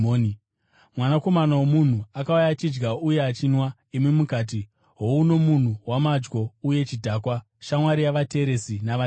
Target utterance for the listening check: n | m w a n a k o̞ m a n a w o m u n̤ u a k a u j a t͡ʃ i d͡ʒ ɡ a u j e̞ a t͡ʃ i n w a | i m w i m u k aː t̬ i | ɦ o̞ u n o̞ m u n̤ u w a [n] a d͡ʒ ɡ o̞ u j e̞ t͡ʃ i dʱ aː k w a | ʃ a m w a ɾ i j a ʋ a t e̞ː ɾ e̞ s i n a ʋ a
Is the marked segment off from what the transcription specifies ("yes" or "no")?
yes